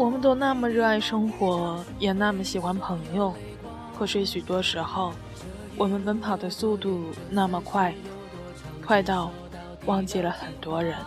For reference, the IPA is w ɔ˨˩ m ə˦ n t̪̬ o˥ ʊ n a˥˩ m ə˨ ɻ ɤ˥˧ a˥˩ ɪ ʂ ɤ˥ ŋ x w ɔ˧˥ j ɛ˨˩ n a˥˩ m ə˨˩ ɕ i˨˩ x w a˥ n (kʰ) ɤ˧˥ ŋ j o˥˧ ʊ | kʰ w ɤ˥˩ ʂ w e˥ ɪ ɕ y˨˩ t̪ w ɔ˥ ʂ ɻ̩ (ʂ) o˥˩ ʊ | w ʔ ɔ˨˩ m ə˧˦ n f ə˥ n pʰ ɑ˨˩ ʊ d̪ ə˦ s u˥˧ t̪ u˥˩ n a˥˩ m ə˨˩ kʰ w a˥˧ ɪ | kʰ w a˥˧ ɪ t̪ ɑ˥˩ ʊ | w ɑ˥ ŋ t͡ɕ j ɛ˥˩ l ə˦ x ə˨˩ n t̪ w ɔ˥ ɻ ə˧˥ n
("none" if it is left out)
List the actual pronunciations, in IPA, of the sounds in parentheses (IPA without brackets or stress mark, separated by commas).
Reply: pʰ, x